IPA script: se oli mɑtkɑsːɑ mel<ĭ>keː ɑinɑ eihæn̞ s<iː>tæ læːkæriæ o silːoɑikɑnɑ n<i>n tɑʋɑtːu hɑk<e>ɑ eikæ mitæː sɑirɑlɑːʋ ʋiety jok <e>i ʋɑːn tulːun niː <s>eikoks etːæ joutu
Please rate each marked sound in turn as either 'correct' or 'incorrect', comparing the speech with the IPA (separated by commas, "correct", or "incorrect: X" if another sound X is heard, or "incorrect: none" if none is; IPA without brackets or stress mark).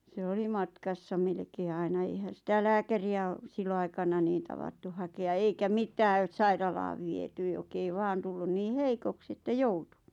incorrect: ĕ, incorrect: i, incorrect: iː, correct, correct, incorrect: h